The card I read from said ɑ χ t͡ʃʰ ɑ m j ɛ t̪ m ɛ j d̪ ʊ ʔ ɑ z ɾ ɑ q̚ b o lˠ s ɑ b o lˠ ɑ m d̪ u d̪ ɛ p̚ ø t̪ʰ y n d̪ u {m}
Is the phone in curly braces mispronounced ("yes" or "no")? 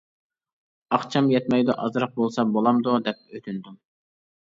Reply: no